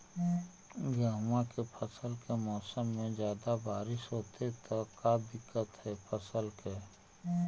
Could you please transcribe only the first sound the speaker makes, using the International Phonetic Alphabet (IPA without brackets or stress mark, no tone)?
ɡ